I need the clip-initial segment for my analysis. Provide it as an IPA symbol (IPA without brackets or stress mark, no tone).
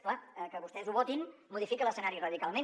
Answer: k